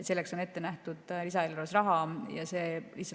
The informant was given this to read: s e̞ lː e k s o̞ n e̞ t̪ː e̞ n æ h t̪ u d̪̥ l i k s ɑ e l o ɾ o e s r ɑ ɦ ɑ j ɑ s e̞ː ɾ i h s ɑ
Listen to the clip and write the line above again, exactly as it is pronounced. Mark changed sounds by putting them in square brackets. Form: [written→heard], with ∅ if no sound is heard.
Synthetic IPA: s e̞ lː e k s o̞ n e̞ t̪ː e̞ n æ h t̪ u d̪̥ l i [k→∅] s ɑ e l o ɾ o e s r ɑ ɦ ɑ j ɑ s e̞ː [ɾ→l] i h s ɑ